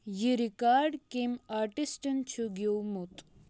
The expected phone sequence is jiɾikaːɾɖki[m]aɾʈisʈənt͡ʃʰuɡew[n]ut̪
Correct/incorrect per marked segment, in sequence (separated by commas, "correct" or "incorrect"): correct, incorrect